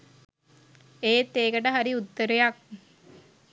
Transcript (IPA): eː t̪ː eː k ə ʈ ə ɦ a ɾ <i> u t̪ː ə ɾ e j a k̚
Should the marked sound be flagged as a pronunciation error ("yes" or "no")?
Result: no